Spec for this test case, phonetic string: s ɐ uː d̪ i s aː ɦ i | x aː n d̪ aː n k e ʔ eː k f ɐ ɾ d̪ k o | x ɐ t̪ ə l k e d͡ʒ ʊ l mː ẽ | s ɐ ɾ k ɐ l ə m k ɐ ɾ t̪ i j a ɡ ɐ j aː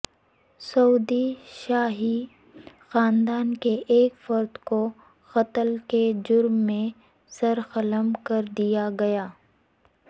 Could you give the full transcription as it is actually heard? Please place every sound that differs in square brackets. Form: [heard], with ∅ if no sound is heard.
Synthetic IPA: s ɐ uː d̪ i [ʃ] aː ɦ i | x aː n d̪ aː n k e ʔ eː k f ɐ ɾ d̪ k o | x ɐ t̪ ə l k e d͡ʒ ʊ [ɾ] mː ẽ | s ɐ ɾ [x] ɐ l ə m k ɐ ɾ [d̪] i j a ɡ ɐ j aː